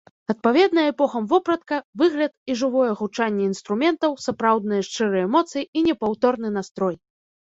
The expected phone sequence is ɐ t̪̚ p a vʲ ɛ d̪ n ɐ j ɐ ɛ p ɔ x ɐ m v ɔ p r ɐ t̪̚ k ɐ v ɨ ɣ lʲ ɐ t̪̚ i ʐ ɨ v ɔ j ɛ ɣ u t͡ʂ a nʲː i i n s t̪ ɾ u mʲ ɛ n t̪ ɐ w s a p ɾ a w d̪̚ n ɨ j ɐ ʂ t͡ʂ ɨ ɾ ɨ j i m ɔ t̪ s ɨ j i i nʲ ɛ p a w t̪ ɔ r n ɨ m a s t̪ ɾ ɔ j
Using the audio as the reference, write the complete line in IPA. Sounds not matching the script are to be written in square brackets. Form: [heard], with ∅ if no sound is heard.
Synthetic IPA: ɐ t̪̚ p a vʲ ɛ d̪ n ɐ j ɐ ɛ p ɔ x ɐ m v ɔ p [ɾ] ɐ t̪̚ k ɐ v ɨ ɣ lʲ ɐ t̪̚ i ʐ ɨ v ɔ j ɛ ɣ u t͡ʂ a nʲː [ɛ] i n s t̪ ɾ u mʲ ɛ n t̪ ɐ w s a p ɾ a w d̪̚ n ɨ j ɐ ʂ t͡ʂ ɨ ɾ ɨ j [ɛ] m ɔ t̪ s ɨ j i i nʲ ɛ p a w t̪ ɔ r n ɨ [n] a s t̪ ɾ ɔ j